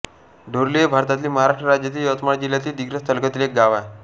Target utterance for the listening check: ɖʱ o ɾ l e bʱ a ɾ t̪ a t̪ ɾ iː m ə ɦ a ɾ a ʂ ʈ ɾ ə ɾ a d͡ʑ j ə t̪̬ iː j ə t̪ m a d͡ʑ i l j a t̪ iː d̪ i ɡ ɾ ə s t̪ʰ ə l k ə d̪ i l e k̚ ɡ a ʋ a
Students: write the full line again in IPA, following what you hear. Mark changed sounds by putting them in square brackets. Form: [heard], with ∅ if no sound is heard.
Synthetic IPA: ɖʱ o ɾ l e bʱ a ɾ t̪ a t̪ [l] iː m ə ɦ a ɾ a ʂ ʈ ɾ ə ɾ a d͡ʑ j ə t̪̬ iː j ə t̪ m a d͡ʑ i l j a t̪ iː d̪ i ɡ ɾ ə s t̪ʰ ə l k ə [t̪] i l e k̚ ɡ a ʋ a